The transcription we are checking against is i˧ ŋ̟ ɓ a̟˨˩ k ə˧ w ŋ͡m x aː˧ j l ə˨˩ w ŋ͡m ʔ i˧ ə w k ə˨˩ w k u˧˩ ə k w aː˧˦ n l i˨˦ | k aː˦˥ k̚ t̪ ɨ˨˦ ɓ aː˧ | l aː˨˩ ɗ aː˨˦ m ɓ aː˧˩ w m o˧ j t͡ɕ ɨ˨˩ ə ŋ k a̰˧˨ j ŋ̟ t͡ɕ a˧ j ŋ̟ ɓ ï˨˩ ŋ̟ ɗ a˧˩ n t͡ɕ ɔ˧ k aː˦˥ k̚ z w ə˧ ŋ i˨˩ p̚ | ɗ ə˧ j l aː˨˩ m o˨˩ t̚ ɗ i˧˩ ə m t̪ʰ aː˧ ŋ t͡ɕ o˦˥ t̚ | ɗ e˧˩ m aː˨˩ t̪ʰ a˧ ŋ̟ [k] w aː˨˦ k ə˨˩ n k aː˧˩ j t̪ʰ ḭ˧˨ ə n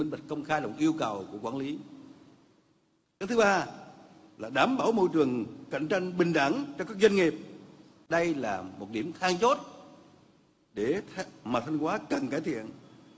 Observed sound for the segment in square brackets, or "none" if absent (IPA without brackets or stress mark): k